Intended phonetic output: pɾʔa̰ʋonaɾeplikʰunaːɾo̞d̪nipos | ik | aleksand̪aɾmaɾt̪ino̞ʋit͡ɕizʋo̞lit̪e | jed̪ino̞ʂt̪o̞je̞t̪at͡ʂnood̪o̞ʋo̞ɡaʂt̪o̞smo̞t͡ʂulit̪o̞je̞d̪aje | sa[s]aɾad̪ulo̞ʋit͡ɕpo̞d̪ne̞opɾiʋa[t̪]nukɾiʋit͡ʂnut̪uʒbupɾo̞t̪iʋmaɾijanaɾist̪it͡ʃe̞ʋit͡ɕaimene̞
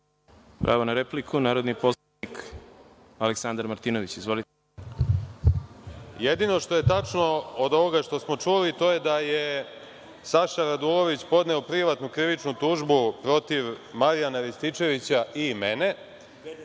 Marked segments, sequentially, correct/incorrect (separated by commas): incorrect, correct